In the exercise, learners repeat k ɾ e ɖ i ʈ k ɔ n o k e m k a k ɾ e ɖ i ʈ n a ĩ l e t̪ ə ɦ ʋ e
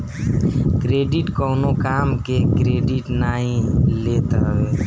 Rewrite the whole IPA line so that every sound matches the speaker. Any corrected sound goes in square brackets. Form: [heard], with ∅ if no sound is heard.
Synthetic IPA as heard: k ɾ e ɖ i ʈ k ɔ n o k [a] m k [e] k ɾ e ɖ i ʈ n a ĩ l e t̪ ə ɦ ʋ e